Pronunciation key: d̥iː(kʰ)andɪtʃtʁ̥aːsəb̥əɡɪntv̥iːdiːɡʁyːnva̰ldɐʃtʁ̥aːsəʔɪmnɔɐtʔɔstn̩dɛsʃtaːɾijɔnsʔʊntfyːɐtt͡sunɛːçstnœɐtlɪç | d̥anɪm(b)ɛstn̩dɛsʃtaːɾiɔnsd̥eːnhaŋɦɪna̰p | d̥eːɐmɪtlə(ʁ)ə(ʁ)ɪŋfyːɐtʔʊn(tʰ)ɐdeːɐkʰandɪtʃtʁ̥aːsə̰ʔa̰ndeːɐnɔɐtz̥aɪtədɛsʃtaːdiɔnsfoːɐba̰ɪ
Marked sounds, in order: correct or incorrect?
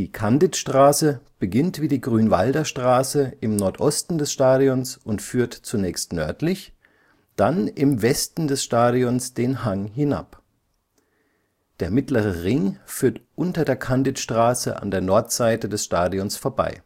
correct, incorrect: v, correct, correct, incorrect: t

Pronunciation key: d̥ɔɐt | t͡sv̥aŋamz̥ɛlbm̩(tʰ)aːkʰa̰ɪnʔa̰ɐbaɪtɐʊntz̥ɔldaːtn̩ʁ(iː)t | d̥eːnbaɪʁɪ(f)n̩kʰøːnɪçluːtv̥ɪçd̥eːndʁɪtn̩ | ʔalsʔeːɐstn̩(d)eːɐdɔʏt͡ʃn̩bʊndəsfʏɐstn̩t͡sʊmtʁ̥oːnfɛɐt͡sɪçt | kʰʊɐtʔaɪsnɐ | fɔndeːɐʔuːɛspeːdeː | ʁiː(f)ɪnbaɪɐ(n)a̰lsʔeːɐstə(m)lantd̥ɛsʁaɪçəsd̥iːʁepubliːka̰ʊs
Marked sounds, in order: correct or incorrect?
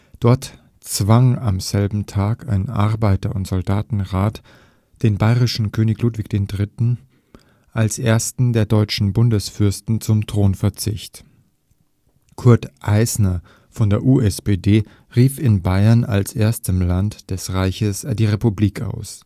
correct, incorrect: aː, incorrect: ʃ, correct, correct, correct, correct

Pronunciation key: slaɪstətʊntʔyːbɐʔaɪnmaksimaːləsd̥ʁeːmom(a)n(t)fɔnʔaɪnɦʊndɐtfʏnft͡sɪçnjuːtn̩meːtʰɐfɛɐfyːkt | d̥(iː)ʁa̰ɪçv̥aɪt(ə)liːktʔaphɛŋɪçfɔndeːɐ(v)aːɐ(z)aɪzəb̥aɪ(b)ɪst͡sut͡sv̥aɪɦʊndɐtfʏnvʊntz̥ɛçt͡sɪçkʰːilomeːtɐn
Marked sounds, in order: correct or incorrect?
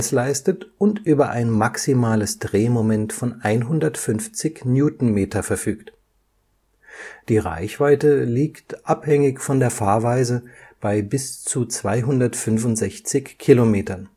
incorrect: ɛ, correct, correct, correct, incorrect: f, incorrect: v, correct

